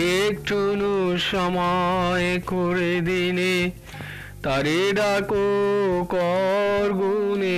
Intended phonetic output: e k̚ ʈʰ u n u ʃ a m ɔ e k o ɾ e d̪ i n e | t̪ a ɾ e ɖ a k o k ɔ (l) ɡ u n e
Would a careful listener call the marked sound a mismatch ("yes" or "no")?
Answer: yes